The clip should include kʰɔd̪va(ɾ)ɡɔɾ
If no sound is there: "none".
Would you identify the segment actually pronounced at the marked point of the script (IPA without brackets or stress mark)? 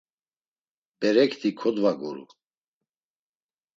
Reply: none